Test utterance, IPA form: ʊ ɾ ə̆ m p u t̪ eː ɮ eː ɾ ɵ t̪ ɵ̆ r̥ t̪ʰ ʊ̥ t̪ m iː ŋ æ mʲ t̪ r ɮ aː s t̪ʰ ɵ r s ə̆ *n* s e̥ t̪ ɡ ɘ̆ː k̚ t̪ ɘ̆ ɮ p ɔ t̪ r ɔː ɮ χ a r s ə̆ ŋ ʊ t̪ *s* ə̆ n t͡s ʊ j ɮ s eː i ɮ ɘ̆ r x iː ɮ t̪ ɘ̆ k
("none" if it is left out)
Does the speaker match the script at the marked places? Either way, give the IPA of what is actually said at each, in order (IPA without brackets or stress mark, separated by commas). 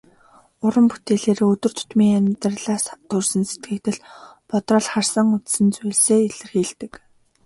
n, s